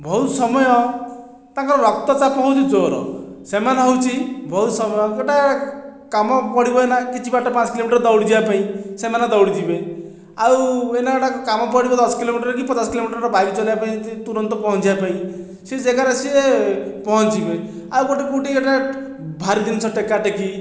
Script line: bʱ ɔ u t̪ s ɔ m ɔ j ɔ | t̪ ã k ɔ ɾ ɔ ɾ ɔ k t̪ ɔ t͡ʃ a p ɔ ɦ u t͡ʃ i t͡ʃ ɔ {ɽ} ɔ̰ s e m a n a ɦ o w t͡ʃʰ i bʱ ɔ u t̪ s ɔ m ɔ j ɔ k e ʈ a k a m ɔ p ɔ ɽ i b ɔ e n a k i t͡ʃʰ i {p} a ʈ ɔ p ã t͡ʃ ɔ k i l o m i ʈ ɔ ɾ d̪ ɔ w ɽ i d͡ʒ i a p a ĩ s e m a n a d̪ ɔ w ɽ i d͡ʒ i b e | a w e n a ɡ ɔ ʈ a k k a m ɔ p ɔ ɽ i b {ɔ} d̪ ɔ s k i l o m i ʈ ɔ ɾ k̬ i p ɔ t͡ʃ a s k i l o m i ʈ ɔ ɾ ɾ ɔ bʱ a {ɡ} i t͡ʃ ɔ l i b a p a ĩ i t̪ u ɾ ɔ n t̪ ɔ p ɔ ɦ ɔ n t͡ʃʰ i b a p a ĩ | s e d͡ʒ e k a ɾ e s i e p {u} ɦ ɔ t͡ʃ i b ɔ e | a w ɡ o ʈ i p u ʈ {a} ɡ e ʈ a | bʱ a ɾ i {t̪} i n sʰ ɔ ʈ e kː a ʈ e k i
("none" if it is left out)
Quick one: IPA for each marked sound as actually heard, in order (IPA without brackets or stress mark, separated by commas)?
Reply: ɾ, b, ɔ, ɡ, ɔ, i, d̪